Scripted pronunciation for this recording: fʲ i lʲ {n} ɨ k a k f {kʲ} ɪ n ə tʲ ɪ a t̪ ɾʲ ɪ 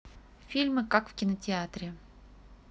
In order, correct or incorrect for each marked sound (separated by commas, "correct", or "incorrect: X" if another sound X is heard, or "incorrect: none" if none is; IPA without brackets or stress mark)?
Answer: incorrect: m, correct